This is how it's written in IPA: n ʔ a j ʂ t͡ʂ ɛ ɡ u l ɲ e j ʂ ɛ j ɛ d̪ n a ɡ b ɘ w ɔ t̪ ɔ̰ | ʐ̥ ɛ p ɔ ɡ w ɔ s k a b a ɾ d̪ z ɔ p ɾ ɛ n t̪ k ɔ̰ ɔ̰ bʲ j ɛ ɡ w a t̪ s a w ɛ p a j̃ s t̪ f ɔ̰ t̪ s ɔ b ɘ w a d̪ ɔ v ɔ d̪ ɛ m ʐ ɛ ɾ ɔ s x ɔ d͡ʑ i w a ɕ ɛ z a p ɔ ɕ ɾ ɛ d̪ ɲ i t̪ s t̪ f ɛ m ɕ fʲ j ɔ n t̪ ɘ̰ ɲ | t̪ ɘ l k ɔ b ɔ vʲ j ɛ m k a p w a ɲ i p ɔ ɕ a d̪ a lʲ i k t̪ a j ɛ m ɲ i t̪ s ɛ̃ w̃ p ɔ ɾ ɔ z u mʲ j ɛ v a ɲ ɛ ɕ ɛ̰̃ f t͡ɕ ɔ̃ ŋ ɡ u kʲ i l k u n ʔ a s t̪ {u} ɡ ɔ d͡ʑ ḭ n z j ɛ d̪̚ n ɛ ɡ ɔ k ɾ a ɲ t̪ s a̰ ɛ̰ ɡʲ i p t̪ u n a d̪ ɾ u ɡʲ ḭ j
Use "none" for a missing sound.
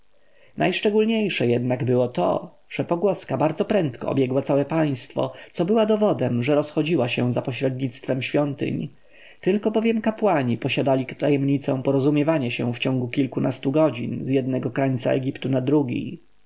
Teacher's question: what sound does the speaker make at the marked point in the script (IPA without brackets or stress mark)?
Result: u